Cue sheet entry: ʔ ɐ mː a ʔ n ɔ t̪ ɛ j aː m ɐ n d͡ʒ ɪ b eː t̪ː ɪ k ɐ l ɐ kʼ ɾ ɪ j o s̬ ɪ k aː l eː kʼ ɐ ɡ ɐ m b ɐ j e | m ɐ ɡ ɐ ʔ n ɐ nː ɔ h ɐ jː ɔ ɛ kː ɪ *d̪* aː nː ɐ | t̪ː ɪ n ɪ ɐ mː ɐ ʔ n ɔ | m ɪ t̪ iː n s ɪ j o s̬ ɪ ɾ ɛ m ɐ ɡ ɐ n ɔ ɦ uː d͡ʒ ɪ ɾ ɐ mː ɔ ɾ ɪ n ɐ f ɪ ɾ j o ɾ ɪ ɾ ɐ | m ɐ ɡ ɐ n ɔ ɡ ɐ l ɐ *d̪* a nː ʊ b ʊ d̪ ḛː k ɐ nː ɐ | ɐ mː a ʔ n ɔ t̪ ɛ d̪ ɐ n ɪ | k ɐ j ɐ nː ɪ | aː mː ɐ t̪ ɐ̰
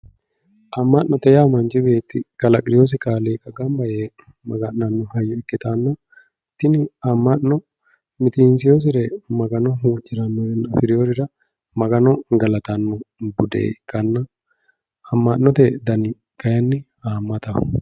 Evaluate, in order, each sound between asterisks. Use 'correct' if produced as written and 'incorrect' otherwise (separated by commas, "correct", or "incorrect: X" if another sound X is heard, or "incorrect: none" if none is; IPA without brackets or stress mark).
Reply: incorrect: t̪, incorrect: t̪